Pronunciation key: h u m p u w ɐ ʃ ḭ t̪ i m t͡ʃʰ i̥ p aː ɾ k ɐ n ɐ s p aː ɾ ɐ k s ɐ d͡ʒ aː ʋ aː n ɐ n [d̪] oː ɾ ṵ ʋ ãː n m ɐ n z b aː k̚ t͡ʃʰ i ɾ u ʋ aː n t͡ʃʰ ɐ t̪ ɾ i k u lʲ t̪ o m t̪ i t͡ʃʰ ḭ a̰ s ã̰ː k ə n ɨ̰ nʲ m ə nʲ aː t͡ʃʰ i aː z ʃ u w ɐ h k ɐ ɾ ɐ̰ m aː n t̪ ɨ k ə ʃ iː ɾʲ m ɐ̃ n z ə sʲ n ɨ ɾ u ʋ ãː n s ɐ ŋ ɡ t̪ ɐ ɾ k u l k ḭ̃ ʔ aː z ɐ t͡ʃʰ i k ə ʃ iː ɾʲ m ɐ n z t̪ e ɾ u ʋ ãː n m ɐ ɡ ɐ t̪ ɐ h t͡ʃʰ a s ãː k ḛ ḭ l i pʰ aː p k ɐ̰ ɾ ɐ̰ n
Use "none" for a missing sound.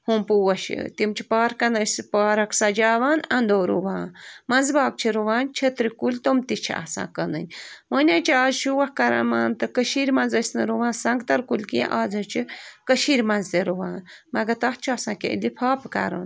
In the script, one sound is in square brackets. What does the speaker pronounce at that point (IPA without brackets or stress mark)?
d̪